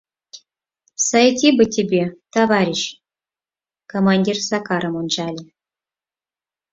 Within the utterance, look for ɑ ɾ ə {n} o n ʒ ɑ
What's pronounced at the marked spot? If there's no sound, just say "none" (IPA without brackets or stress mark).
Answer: m